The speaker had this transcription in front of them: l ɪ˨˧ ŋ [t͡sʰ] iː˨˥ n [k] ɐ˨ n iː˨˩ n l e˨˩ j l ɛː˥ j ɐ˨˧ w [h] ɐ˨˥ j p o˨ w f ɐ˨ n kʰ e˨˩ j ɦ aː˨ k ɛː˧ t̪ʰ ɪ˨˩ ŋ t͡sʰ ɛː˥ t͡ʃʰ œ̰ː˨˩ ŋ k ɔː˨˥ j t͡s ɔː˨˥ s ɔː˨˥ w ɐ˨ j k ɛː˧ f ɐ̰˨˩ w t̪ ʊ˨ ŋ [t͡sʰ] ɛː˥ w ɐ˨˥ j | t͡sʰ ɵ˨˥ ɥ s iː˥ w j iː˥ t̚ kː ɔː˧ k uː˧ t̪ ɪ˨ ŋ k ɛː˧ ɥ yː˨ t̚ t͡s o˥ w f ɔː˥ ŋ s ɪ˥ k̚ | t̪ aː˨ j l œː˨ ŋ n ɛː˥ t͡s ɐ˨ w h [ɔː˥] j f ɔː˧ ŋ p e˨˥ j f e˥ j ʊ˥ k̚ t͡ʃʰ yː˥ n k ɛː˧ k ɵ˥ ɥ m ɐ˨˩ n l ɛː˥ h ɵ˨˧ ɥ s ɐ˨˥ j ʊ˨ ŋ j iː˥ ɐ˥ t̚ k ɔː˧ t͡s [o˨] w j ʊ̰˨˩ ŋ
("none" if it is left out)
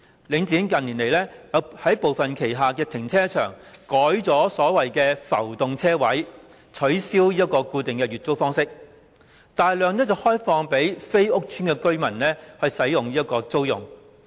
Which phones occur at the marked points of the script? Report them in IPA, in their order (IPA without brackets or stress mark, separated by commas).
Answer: t͡s, k, h, t͡sʰ, ɔː˥, o˥